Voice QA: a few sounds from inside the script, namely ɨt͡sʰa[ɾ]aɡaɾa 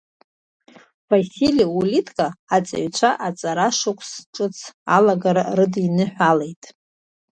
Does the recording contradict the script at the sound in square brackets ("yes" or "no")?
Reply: yes